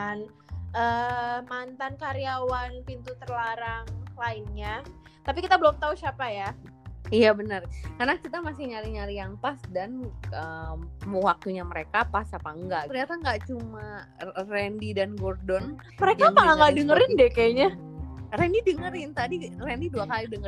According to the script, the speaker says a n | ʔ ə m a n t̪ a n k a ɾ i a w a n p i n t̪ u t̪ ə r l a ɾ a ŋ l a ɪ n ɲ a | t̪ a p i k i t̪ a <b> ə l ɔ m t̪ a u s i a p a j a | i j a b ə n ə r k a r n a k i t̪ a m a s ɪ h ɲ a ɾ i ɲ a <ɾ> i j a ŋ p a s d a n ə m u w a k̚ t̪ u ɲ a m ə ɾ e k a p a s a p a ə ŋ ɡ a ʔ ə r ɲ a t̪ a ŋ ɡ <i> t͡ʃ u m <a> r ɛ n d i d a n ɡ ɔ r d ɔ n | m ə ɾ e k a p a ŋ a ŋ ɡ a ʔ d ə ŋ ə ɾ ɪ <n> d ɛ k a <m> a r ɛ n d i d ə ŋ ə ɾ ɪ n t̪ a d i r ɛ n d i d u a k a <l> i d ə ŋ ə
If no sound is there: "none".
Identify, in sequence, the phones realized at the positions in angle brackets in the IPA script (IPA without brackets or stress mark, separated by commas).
b, ɾ, a, a, n, ɲ, l